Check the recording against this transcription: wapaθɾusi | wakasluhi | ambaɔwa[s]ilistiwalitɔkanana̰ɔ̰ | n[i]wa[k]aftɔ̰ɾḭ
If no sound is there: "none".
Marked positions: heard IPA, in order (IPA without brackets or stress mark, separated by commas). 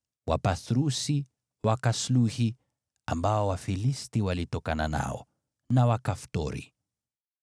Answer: f, a, k